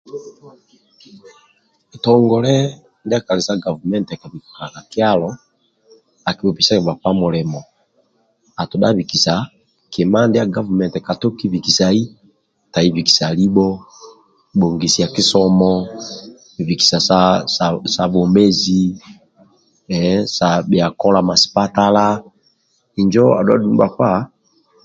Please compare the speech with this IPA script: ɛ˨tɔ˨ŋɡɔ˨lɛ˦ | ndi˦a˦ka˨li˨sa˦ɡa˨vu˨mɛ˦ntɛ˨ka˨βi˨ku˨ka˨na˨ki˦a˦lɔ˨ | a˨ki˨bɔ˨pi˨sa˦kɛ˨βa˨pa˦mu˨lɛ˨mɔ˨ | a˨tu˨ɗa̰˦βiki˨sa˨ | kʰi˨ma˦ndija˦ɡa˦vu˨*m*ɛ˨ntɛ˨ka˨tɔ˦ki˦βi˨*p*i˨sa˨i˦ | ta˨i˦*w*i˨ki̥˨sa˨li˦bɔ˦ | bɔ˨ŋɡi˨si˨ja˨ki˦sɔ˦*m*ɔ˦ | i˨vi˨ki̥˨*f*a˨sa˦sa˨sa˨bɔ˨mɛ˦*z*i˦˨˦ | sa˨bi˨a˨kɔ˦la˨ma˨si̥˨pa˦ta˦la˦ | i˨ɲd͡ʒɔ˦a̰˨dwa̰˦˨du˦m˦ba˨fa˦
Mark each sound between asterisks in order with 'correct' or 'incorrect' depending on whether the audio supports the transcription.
correct, incorrect: k, incorrect: v, correct, incorrect: s, correct

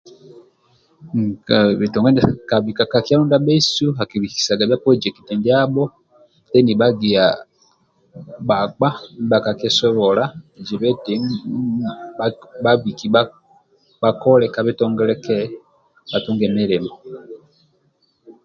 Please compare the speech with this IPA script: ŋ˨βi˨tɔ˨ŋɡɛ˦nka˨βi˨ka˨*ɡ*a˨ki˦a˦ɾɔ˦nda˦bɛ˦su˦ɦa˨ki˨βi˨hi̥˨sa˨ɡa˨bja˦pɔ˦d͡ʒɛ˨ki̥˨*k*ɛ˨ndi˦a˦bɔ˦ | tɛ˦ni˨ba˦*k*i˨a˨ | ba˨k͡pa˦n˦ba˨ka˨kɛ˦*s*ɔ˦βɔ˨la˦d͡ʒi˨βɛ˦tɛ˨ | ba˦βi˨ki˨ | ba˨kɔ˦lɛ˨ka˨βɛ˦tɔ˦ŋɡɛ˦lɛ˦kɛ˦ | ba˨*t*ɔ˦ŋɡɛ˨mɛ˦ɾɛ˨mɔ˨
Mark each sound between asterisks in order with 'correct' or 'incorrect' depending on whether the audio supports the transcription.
incorrect: k, incorrect: t, incorrect: ɡ, correct, correct

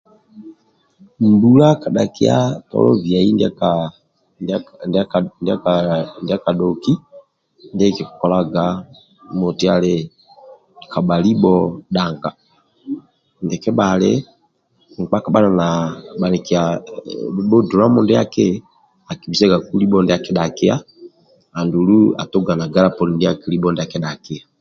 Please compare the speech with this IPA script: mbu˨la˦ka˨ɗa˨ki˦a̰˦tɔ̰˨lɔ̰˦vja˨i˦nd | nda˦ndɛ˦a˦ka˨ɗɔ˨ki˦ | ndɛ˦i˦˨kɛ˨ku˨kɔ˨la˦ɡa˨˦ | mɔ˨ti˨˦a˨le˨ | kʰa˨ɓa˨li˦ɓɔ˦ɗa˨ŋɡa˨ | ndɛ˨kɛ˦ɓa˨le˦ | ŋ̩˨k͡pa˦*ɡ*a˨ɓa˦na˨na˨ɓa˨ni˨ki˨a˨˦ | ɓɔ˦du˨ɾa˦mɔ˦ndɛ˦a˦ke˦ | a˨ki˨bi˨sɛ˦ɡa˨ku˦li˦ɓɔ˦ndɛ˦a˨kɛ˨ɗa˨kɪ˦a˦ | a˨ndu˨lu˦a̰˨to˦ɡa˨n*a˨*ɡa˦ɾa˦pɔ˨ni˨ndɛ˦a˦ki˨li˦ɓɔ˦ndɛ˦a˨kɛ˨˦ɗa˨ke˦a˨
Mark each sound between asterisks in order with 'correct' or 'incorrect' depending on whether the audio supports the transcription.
incorrect: k, correct

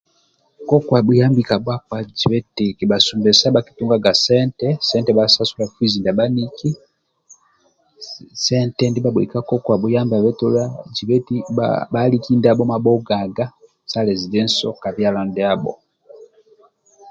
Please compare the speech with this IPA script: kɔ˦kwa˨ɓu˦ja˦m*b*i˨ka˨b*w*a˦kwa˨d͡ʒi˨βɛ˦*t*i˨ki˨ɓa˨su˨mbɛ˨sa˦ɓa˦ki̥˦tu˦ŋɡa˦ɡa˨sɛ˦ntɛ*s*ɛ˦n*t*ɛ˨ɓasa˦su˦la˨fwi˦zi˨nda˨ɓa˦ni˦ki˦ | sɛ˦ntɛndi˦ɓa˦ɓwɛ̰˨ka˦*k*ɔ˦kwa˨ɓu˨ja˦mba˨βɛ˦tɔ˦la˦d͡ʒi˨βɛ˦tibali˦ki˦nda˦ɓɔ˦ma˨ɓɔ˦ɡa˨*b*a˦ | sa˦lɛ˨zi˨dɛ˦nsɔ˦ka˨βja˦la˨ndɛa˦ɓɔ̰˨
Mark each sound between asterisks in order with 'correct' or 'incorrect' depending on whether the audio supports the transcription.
correct, correct, correct, correct, correct, correct, incorrect: ɡ

